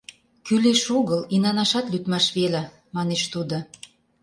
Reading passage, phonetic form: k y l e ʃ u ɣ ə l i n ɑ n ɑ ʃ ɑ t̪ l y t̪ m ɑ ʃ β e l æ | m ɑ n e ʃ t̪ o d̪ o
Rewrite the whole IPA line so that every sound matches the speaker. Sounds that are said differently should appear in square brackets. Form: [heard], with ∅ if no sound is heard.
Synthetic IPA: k y l e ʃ u ɣ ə l i n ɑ n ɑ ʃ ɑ t̪ l y t̪ m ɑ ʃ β e l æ | m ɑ n e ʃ t̪ [u] d̪ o